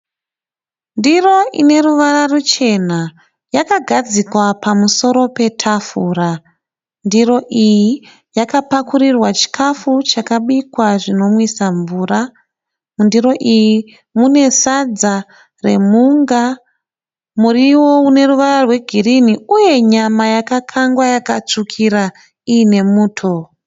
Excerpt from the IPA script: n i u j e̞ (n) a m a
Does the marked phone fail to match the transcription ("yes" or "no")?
yes